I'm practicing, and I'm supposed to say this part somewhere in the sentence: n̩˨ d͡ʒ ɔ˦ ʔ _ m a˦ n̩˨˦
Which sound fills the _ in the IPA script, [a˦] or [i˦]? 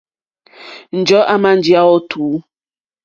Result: a˦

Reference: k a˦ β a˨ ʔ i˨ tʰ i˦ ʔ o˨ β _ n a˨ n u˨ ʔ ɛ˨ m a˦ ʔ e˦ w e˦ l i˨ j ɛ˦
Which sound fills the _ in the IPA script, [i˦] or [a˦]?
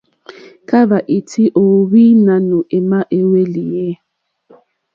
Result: i˦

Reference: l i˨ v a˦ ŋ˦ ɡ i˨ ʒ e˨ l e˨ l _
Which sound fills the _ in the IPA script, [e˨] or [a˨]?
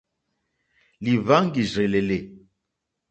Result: e˨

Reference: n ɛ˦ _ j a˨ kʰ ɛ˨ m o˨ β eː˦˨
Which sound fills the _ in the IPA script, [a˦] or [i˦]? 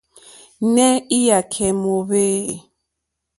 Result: i˦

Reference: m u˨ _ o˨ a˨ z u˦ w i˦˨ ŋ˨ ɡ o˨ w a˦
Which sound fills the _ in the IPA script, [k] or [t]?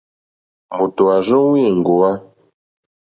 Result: t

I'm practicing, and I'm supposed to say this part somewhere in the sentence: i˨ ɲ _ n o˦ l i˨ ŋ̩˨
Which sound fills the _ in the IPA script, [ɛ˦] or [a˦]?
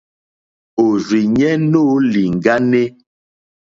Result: ɛ˦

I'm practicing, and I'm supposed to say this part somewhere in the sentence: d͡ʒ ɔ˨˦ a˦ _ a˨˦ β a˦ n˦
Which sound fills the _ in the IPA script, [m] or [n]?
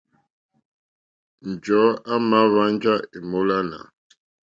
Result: m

